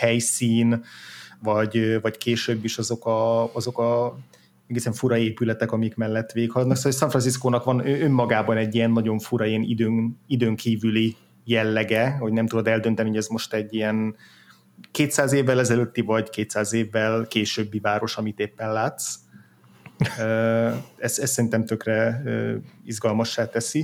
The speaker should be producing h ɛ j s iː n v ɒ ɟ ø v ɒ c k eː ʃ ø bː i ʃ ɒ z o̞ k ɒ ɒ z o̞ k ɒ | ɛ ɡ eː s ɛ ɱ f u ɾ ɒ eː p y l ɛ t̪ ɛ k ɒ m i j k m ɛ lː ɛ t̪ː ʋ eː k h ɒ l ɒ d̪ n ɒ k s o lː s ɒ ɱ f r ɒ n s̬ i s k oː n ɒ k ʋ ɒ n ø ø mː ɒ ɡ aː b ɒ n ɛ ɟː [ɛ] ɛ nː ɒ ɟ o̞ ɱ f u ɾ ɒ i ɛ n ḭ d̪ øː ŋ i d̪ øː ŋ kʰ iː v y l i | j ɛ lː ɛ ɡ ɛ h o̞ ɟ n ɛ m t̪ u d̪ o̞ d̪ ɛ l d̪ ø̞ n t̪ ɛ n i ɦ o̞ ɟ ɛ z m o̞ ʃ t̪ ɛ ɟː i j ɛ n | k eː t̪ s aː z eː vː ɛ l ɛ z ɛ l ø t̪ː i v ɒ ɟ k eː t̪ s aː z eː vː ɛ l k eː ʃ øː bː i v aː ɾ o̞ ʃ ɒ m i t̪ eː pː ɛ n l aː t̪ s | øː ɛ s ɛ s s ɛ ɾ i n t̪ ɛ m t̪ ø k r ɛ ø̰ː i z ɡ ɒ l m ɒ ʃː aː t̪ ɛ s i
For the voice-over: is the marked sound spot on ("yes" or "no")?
no